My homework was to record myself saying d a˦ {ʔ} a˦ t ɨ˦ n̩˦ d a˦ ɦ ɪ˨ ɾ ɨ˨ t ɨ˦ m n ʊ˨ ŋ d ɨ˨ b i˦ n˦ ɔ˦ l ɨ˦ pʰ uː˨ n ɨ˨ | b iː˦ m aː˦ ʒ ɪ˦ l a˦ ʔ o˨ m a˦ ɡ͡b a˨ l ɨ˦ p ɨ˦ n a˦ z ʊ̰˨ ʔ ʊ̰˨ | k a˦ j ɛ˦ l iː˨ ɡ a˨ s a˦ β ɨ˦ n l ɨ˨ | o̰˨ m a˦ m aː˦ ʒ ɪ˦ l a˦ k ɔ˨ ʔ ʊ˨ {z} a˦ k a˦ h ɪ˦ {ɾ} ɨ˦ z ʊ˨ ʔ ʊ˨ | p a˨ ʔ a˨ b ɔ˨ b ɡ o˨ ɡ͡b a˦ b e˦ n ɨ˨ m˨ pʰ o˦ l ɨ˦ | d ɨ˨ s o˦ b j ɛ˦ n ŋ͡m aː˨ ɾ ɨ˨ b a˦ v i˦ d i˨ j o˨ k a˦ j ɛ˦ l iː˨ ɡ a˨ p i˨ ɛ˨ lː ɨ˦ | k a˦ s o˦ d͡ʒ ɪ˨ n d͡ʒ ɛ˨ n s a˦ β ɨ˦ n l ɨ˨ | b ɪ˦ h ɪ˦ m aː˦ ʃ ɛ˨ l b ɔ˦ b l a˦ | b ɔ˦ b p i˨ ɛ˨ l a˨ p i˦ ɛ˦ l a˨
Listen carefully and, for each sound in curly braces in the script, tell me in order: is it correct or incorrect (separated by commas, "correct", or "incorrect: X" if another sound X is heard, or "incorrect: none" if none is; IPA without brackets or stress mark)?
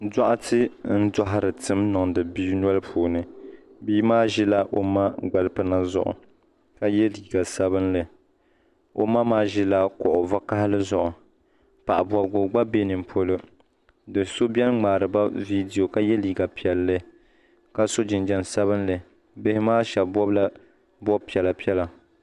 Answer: correct, incorrect: v, incorrect: l